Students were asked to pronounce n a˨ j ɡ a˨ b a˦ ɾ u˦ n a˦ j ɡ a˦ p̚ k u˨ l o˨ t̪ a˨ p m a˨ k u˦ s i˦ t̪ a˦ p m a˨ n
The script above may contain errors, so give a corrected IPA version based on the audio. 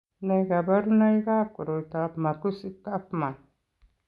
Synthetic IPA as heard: n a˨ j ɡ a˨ b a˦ ɾ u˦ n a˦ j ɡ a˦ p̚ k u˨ ɾ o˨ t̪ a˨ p m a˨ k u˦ s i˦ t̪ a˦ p m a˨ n